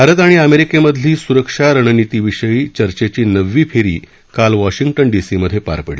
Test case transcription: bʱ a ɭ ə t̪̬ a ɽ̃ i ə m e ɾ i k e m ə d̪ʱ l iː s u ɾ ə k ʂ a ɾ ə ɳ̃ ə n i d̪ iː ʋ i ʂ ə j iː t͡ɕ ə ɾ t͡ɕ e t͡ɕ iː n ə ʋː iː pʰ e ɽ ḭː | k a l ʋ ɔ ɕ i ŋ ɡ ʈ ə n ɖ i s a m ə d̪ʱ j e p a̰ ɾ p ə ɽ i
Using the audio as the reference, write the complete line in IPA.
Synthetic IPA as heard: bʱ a ɾ ə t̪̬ a ɽ̃ i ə m e ɾ i k e m ə d̪ʱ l iː s u ɾ ə k ʂ a ɾ ə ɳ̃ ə n i t̪ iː ʋ i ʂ ə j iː t͡ɕ ə ɾ t͡ɕ e t͡ɕ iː n ə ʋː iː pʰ e ɾ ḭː | k a l ʋ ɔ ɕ i ŋ ɡ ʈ ə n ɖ i s i m ə d̪ʱ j e p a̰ ɾ p ə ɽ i

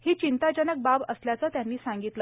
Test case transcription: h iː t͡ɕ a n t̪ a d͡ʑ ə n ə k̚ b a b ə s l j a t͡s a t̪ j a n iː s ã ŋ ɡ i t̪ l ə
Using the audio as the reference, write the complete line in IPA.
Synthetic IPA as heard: h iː t͡ɕ i n t̪ a d͡ʑ ə n ə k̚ b a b ə s l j a t͡s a t̪ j a nː iː s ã ŋ ɡ i t̪ l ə

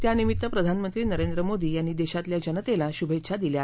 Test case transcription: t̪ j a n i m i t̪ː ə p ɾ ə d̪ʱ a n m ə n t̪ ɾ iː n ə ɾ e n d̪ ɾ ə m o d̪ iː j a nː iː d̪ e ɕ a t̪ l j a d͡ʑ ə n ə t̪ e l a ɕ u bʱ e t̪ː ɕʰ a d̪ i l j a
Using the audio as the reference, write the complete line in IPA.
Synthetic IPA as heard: t̪ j a n i m i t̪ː ə p ɾ ə d̪ʱ a n m ə n t̪ ɾ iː n ə ɾ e n d̪ ɾ ə m o d̪ iː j a nː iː d̪ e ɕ a t̪ l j a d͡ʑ ə n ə t̪ e l a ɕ u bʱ e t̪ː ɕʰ a d̪ i l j a

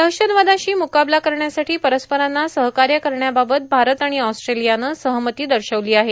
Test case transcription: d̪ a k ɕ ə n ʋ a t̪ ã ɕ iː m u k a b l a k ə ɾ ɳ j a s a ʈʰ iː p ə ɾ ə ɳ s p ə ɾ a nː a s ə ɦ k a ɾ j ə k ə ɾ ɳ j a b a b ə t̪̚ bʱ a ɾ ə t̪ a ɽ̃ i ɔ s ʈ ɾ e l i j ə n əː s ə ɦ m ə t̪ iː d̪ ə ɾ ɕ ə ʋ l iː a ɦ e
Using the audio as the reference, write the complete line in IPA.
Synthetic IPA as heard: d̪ ə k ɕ ə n ʋ a d̪ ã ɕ iː m u k a b l a k ə ɾ ɳ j a s a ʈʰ iː p ə ɾ ə s p ə ɾ a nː a s ə ɦ k a ɾ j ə k ə ɾ ɳ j a b a b ə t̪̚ bʱ a ɾ ə t̪ a ɽ̃ i ɔ s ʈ ɾ e l i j a n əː s ə ɦ m ə t̪ iː d̪ ə ɾ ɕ ə ʋ l iː a ɦ e

